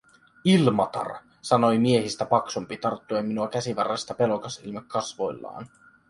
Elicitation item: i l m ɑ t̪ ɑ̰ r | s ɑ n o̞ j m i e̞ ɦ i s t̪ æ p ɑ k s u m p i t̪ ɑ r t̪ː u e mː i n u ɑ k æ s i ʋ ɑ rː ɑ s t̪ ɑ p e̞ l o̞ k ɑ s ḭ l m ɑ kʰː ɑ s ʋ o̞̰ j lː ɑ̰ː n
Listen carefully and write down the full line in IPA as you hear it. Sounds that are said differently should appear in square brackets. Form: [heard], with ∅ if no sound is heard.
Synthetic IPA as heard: i l m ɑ t̪ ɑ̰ r | s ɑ n o̞ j m i e̞ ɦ i s t̪ æ p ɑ k s u m p i t̪ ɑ r t̪ː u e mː i n u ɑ k æ s i ʋ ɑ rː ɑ s t̪ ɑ p e̞ l o̞ k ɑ s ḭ l m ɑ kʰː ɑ s ʋ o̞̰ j lː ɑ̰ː n